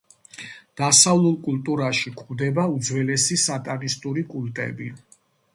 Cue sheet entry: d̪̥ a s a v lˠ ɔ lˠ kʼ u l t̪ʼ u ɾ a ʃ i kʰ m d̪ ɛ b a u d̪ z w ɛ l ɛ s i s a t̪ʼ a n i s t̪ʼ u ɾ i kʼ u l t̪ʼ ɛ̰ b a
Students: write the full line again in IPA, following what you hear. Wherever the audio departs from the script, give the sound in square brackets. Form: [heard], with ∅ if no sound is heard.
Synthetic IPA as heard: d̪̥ a s a v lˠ [u] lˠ kʼ u l t̪ʼ u ɾ a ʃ i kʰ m d̪ ɛ b a u d̪ z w ɛ l ɛ s i s a t̪ʼ a n i s t̪ʼ u ɾ i kʼ u l t̪ʼ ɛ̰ b [i]